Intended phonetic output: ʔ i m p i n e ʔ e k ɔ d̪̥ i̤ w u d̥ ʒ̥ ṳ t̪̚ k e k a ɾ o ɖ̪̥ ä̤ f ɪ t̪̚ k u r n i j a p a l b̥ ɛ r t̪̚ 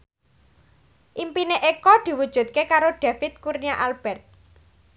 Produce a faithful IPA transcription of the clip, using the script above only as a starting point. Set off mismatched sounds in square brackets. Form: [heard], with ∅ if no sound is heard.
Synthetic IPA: ʔ i m p i n e ʔ e k ɔ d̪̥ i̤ w u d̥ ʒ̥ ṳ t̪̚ k e k a ɾ o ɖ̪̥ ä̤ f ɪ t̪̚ k u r n i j a [ʔ] a l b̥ ɛ r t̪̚